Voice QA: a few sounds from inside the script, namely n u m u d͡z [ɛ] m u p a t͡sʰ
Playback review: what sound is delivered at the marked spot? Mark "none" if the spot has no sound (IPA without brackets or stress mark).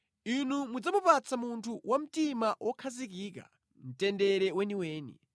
a